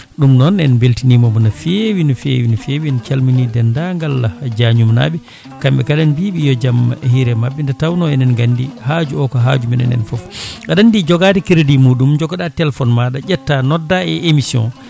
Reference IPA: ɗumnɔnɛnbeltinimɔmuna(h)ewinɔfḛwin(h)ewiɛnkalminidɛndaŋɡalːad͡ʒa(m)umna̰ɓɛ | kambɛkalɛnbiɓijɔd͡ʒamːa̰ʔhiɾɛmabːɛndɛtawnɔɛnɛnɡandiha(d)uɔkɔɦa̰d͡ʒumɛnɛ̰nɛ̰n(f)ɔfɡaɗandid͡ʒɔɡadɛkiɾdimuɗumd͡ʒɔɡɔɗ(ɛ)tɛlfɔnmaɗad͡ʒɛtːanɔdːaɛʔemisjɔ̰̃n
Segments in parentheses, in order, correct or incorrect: incorrect: f, incorrect: f, incorrect: ɲ, incorrect: d͡ʒ, correct, incorrect: a

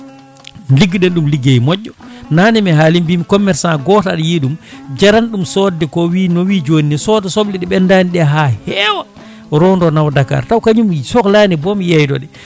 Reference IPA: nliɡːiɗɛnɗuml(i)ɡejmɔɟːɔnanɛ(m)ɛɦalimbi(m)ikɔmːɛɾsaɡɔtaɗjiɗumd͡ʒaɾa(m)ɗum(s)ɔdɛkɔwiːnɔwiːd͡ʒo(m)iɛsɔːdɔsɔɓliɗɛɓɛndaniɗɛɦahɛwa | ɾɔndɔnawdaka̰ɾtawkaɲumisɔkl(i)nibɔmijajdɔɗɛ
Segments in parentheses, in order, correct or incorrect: correct, correct, correct, incorrect: n, correct, incorrect: n, incorrect: a

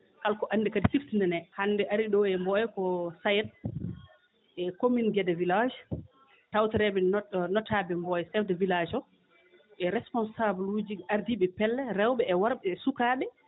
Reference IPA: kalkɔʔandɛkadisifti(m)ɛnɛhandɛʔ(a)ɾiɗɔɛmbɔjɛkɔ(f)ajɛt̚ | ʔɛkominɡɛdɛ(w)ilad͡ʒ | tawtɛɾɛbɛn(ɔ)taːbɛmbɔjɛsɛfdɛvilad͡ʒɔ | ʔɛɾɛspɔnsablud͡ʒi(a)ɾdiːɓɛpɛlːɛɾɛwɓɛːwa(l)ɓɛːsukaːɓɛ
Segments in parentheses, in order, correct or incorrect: incorrect: n, correct, incorrect: s, incorrect: v, correct, correct, incorrect: ɾ

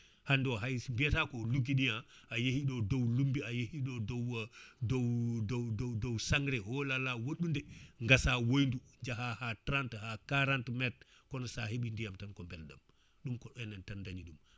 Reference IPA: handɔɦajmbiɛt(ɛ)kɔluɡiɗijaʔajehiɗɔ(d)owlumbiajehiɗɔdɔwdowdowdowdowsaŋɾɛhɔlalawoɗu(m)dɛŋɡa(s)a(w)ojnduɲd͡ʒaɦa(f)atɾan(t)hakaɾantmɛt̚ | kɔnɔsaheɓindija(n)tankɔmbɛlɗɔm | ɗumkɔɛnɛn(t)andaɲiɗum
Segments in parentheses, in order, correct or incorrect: incorrect: a, correct, incorrect: n, correct, correct, incorrect: h, correct, incorrect: m, correct

